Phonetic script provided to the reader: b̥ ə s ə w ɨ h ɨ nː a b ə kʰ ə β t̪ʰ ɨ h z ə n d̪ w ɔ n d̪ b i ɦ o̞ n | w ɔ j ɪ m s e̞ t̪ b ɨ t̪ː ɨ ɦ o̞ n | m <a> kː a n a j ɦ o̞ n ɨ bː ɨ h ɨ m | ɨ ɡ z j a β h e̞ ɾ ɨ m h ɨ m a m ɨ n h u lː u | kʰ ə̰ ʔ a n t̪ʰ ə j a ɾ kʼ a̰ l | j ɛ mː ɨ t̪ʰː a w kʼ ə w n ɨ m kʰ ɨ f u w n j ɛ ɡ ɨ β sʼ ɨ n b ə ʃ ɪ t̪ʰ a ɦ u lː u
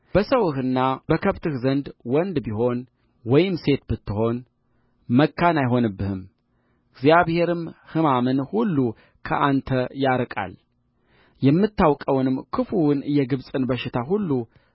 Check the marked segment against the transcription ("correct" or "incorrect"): incorrect